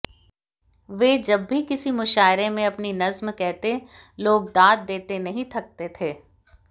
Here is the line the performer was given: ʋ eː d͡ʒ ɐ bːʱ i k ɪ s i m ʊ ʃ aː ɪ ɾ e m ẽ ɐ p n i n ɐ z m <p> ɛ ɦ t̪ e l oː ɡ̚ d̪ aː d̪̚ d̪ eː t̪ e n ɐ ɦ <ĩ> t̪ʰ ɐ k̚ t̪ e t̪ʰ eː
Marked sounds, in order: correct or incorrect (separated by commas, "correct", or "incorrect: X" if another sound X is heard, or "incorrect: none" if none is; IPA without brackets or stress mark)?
incorrect: k, correct